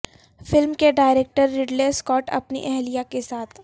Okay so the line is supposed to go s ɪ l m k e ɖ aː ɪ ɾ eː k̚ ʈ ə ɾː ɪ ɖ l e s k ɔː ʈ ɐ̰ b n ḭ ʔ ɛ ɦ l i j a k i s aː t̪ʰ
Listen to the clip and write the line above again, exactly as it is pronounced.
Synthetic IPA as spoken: f ɪ l m k e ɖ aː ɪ ɾ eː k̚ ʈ ə ɾː ɪ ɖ l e s k ɔː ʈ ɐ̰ p n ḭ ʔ ɛ ɦ l i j a k e s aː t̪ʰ